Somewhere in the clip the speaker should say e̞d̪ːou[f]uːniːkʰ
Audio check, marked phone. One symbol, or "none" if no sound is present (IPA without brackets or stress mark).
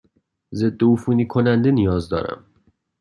f